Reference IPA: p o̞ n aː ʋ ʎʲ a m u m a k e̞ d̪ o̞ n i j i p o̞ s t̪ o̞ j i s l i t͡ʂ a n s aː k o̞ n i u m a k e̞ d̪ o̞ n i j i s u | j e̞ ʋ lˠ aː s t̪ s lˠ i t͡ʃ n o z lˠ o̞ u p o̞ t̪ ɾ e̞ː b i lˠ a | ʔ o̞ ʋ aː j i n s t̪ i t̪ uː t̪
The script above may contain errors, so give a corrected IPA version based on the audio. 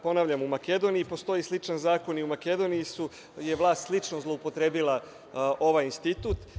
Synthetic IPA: p o̞ n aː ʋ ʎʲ a m u m a k e̞ d̪ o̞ n i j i p o̞ s t̪ o̞ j i s l i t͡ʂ a n z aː k o̞ n i u m a k e̞ d̪ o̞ n i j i s u | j e̞ ʋ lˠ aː s t̪ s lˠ i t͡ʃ n o z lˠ o̞ u p o̞ t̪ ɾ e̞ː b i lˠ a | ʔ o̞ ʋ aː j i n s t̪ i t̪ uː t̪